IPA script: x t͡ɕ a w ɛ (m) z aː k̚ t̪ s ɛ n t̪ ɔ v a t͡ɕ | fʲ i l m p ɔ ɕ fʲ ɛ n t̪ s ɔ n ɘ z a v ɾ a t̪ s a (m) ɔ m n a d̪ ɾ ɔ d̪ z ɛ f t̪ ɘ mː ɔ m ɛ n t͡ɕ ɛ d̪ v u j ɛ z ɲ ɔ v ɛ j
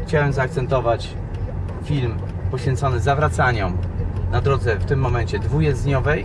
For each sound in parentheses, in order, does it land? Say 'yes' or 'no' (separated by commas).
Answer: yes, no